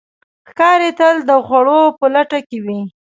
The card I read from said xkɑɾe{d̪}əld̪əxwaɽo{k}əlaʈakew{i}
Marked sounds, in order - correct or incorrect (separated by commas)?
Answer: incorrect, incorrect, correct